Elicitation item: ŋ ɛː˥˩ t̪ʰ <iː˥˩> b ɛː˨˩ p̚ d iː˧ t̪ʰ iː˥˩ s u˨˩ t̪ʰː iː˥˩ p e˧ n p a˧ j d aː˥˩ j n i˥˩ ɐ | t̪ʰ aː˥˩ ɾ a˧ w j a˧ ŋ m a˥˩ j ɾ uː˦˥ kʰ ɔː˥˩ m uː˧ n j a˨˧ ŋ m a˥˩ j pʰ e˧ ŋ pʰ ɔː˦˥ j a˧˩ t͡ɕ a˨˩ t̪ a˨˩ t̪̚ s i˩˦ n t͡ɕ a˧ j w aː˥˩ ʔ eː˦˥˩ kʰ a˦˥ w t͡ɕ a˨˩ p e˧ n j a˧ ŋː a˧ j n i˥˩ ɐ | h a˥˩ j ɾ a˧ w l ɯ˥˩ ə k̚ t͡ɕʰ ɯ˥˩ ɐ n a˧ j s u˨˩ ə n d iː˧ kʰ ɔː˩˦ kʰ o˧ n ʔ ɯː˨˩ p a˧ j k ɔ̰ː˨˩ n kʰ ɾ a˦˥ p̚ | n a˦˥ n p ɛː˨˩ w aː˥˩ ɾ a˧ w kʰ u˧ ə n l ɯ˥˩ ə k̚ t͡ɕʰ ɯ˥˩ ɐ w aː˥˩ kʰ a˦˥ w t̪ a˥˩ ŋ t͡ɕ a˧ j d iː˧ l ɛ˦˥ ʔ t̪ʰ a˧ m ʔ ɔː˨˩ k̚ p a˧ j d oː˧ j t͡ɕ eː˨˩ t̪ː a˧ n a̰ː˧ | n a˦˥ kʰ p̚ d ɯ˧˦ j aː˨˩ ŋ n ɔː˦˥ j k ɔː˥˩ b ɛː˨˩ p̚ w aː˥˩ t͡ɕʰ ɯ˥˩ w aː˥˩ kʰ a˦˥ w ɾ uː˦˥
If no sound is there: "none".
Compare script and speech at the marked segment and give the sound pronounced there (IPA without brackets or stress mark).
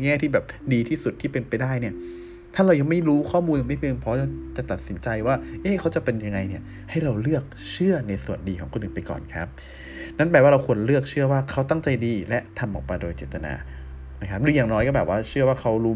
iː˥˩